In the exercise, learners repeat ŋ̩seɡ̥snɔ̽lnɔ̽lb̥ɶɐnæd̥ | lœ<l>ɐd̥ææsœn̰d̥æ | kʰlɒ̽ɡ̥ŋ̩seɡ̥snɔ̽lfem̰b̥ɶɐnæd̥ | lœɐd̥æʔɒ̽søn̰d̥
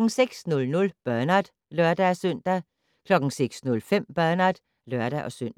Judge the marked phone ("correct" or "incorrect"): incorrect